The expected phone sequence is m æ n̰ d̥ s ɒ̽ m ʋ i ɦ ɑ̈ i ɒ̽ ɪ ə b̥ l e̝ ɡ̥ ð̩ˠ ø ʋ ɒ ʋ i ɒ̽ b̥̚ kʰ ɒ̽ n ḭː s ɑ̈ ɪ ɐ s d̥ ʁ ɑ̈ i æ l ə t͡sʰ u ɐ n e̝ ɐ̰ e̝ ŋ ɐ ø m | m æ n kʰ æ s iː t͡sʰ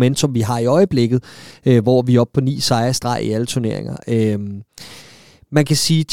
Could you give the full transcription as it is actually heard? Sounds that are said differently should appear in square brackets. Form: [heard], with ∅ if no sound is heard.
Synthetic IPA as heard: m [e] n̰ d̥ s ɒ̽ m ʋ i ɦ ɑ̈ i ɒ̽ ɪ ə b̥ l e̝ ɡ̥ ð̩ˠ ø ʋ ɒ ʋ i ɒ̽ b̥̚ [pʰ] ɒ̽ n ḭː s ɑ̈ ɪ ɐ s d̥ ʁ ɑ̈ i æ l ə t͡sʰ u ɐ n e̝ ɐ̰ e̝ ŋ ɐ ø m | m æ n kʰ æ s iː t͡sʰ